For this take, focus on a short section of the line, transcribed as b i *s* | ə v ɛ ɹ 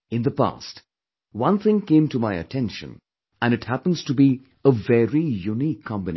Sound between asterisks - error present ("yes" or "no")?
yes